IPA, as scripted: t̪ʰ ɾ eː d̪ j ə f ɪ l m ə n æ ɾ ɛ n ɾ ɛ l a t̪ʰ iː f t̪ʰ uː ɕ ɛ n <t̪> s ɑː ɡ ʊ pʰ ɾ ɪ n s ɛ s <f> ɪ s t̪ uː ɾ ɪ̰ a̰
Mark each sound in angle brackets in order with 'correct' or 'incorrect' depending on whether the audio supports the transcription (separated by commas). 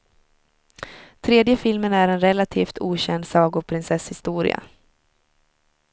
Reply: incorrect, incorrect